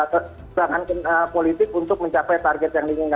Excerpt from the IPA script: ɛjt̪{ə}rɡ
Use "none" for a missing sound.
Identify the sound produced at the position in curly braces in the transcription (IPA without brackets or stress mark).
a